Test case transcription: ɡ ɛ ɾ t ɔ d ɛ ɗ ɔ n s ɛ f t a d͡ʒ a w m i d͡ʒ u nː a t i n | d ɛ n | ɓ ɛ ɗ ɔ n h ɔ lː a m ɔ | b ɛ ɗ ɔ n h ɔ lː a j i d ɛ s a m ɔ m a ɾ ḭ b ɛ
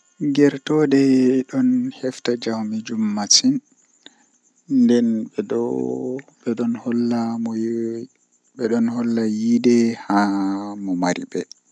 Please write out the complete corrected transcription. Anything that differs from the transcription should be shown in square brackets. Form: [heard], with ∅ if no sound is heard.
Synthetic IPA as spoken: ɡ ɛ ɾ t ɔ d ɛ ɗ ɔ n [h] ɛ f t a d͡ʒ a w m i d͡ʒ u [mː] a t i n | d ɛ n | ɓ ɛ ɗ ɔ n h ɔ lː a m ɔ | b ɛ ɗ ɔ n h ɔ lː a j i d ɛ [h] a m ɔ m a ɾ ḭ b ɛ